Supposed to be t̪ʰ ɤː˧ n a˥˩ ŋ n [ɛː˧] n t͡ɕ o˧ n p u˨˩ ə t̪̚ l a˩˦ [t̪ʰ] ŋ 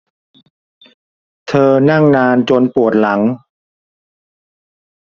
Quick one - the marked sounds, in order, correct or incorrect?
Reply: incorrect, incorrect

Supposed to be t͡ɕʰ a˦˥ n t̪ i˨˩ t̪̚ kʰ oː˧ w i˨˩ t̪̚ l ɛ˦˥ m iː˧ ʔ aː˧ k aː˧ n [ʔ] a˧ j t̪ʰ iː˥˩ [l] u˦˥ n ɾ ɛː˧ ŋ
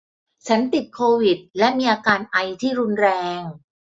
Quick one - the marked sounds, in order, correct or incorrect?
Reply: correct, incorrect

